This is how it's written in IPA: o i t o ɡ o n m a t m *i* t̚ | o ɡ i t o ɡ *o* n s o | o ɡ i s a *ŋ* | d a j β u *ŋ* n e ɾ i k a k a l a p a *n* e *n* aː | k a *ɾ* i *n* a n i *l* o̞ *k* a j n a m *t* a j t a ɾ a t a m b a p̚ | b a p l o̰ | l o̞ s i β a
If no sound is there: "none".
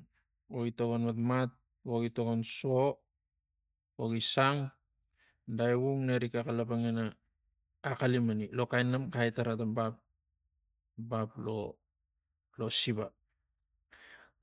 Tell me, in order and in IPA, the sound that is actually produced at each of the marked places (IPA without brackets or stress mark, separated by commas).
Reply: a, o, ŋ, ŋ, ŋ, n, l, m, l, k, k